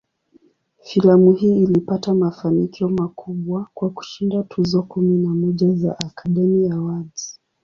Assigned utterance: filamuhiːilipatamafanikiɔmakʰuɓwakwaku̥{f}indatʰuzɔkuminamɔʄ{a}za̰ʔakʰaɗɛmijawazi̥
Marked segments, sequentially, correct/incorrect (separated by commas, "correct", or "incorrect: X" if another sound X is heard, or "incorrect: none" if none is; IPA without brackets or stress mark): incorrect: ʃ, correct